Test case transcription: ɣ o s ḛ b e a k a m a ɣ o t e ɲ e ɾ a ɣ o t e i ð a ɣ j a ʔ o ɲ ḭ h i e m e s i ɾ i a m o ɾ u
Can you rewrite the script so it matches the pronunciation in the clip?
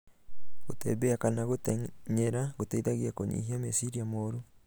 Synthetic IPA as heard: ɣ o t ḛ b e a k a n a ɣ o t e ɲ e ɾ a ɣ o t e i ð a ɣ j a k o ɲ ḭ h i a m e s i ɾ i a m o ɾ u